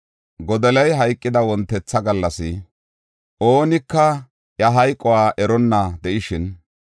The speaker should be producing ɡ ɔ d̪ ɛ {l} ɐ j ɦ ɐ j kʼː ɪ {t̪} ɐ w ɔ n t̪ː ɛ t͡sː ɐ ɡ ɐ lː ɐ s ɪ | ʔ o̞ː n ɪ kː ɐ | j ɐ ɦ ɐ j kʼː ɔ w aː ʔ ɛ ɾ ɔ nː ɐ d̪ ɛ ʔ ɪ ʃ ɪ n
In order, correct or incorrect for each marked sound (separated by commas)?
correct, incorrect